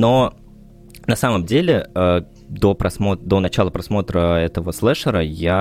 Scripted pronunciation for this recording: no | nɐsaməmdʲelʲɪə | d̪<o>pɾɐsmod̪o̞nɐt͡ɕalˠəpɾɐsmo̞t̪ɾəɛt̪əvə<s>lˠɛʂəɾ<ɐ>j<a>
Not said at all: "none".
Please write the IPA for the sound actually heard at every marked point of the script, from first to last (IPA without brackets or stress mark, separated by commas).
o, s, ə, a